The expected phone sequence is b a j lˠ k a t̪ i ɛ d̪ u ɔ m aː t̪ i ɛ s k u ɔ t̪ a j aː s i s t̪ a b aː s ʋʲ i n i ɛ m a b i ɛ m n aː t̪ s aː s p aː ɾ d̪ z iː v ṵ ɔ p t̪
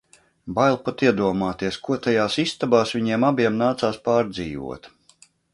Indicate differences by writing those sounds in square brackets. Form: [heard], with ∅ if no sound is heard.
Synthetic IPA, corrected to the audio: b a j lˠ [p] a t̪ i ɛ d̪ u ɔ m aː t̪ i ɛ s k u ɔ t̪ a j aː s i s t̪ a b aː s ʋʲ i [ɲ] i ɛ m a b i ɛ m n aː t̪ s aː s p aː ɾ d̪ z iː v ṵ ɔ [∅] t̪